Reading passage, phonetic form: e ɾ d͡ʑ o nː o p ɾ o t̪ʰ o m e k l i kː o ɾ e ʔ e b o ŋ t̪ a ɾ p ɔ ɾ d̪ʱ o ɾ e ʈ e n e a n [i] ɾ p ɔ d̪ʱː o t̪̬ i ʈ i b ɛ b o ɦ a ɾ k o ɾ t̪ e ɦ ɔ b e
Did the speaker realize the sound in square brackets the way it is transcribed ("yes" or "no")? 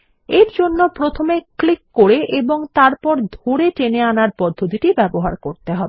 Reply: no